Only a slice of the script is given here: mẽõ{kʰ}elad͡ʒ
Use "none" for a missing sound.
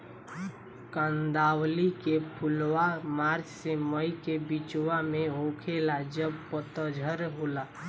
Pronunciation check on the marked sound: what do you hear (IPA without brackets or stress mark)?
kʰ